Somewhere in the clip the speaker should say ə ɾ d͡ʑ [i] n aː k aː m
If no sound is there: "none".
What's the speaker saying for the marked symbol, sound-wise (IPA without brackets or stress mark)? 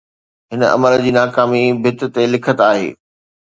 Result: iː